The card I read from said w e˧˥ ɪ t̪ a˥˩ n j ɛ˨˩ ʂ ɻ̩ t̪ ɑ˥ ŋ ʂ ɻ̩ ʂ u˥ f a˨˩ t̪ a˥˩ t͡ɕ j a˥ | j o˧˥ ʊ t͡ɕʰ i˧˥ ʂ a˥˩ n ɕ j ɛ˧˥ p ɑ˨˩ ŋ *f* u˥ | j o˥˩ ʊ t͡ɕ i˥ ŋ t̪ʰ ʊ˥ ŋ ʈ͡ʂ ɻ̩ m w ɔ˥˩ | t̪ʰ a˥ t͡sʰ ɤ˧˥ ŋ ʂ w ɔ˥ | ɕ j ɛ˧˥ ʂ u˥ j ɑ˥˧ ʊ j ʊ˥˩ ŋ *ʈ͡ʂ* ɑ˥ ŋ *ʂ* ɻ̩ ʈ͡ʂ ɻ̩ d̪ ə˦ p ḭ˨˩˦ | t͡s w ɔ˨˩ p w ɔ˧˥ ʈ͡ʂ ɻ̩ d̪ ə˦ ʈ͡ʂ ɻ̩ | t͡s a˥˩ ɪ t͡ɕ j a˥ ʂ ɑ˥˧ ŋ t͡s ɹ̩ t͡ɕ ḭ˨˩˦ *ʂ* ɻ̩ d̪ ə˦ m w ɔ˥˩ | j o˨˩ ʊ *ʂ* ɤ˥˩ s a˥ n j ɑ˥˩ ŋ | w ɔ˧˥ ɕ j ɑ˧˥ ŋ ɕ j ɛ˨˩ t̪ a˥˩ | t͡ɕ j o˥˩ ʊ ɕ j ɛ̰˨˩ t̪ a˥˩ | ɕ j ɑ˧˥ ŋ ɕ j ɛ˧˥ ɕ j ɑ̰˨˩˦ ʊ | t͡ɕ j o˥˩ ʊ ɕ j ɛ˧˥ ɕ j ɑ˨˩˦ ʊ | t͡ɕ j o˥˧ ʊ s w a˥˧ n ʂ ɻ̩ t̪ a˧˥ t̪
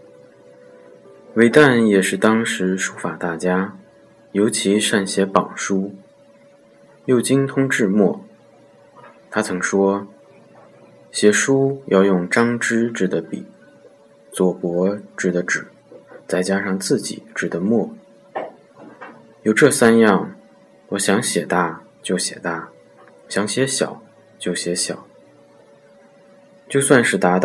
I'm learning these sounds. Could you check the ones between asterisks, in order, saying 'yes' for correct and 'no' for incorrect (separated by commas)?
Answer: no, yes, no, no, no